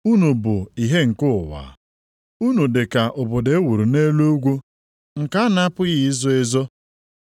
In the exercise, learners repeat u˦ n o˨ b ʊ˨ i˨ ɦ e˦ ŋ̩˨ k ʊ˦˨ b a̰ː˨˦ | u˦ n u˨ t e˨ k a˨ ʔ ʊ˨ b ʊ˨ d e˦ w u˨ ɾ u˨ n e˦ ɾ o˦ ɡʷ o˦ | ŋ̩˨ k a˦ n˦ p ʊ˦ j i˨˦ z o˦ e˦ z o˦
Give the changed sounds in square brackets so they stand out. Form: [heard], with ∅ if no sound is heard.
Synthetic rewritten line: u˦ n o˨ b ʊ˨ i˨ ɦ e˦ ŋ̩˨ k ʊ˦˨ [w] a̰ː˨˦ | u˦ n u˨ [d] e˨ k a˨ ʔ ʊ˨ b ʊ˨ d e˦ w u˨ ɾ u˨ n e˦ [l] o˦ ɡʷ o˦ | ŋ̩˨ k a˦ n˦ p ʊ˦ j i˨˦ z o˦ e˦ z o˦

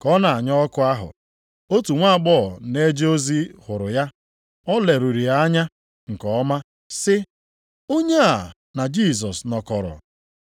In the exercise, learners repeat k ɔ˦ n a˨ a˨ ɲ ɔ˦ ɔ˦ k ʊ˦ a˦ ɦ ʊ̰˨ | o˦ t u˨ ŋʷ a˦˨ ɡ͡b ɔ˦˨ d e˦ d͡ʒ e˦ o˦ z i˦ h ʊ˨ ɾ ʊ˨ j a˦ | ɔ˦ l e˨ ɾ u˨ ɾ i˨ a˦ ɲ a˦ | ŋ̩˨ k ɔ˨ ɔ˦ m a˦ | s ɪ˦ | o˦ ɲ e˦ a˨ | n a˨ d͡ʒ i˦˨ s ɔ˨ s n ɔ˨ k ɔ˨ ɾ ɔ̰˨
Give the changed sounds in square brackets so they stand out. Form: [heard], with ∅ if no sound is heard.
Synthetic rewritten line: k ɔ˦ n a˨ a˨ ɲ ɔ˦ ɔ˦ k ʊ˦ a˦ ɦ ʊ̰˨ | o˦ t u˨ ŋʷ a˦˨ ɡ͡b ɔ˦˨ [n] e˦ d͡ʒ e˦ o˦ z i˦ h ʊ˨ ɾ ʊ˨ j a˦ | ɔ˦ l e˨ ɾ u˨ ɾ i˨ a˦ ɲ a˦ | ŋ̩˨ k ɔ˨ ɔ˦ m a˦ | s ɪ˦ | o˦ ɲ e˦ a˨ | n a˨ d͡ʒ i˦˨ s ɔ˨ s n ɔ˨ k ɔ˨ ɾ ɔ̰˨

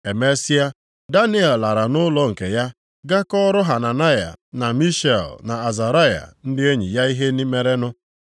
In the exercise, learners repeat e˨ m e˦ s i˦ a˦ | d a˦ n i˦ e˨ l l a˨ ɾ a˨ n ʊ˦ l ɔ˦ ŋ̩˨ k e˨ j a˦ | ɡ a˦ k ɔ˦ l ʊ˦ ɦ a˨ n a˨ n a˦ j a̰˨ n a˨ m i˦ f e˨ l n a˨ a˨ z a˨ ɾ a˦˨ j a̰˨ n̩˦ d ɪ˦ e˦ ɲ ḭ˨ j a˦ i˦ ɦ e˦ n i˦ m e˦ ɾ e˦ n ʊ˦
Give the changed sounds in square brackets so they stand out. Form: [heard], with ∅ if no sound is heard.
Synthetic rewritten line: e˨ m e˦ s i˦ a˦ | d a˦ n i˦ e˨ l l a˨ ɾ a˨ n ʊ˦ l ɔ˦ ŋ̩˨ k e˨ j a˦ | ɡ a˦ k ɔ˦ [ɾ] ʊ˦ ɦ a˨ n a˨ n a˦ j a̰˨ n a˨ m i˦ [ʃ] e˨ l n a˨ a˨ z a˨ ɾ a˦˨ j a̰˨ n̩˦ d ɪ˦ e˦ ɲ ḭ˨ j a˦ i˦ ɦ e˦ n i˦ m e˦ ɾ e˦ n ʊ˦

